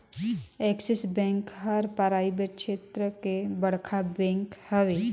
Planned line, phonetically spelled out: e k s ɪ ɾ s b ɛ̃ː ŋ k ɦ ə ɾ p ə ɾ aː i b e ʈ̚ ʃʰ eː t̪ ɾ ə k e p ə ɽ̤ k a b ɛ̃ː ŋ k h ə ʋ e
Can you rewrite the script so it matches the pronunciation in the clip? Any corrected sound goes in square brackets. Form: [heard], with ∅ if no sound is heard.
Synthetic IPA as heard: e k s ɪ [∅] s b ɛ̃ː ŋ k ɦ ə ɾ p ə ɾ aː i b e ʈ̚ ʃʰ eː t̪ ɾ ə k e [b] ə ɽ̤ [kʰ] a b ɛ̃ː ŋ k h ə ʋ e

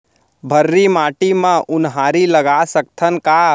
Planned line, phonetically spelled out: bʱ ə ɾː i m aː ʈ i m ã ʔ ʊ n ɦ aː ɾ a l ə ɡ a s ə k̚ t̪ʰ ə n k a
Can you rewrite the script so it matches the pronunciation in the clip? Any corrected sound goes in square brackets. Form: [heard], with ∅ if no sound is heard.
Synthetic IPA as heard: bʱ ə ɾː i m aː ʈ i m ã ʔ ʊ n ɦ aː ɾ [i] l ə ɡ a s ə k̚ t̪ʰ ə n k a

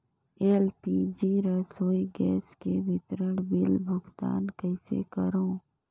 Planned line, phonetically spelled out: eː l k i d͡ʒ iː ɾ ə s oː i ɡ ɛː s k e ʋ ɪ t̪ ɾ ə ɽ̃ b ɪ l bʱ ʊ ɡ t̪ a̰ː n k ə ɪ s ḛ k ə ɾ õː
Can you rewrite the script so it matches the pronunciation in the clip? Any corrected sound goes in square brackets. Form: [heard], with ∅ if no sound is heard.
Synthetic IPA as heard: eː l [p] i d͡ʒ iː ɾ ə s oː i ɡ ɛː s k e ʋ ɪ t̪ ɾ ə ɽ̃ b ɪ l bʱ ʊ ɡ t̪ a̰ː n k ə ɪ s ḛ k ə ɾ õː

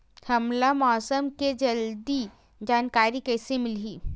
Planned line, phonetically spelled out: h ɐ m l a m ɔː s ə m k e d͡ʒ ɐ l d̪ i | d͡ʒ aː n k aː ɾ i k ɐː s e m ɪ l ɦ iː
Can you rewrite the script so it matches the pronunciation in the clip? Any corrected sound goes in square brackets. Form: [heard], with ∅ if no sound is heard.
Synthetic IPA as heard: h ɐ m l a m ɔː s ə m k e d͡ʒ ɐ l d̪ i | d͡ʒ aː n k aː ɾ i k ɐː s e m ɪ l ɦ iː

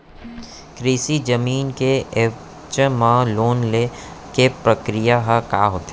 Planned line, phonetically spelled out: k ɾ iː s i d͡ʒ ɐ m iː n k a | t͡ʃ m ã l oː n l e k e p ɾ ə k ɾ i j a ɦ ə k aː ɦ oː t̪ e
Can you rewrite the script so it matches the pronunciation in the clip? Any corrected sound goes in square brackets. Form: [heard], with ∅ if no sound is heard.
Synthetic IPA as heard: k ɾ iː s i d͡ʒ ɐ m iː n k [e] | t͡ʃ m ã l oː n l e k e p ɾ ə k ɾ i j a ɦ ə k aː ɦ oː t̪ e

